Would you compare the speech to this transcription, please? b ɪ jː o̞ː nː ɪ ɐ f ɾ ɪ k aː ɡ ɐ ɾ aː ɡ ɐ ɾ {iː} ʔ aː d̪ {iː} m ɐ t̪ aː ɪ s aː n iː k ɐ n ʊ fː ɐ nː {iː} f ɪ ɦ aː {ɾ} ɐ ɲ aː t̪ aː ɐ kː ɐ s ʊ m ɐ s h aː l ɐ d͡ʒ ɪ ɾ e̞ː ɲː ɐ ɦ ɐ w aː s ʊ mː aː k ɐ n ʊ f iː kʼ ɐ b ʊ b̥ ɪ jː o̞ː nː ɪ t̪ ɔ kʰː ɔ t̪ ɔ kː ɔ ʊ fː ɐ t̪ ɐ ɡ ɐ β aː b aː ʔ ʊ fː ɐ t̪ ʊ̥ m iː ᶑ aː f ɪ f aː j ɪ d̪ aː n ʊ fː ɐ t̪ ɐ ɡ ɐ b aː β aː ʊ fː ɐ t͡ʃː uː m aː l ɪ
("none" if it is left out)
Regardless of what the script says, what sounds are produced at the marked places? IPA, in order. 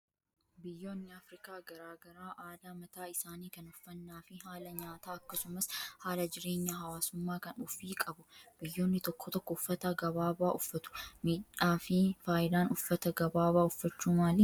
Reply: aː, aː, aː, l

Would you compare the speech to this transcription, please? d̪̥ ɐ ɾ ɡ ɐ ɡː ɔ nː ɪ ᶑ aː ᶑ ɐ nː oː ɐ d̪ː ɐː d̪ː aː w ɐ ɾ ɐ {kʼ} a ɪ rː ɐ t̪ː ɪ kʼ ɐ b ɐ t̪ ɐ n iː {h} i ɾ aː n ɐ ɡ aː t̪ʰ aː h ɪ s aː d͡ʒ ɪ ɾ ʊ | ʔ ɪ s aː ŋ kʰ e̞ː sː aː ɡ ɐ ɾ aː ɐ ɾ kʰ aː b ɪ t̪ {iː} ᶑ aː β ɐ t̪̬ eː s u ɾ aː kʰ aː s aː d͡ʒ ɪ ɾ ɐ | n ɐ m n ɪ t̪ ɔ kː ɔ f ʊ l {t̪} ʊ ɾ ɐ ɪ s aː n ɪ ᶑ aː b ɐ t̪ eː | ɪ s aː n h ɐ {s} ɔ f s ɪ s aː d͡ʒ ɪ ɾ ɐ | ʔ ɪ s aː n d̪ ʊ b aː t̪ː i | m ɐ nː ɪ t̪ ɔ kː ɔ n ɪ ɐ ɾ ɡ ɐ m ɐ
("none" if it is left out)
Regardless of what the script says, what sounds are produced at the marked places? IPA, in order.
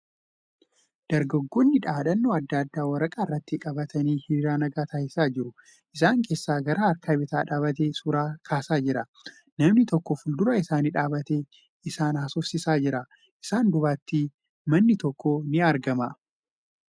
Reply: kʼ, h, aː, d̪, s

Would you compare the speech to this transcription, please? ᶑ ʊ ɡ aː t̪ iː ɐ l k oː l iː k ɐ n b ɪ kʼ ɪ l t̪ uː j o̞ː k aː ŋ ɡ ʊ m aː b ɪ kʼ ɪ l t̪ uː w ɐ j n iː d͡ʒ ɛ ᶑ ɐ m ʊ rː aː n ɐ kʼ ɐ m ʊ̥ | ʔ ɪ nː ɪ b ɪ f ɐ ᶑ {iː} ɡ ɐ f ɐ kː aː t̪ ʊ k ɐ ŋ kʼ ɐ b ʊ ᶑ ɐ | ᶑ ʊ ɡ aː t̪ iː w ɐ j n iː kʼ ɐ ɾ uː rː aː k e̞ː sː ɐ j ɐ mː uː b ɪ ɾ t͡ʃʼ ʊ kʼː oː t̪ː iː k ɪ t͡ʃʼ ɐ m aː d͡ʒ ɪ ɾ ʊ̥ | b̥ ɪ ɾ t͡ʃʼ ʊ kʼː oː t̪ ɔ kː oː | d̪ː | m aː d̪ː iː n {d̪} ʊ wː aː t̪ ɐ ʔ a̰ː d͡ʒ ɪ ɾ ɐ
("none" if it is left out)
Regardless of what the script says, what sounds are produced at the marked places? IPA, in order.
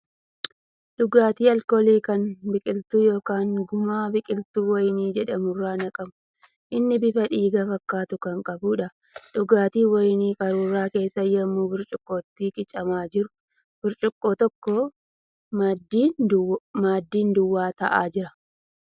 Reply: iː, d̪

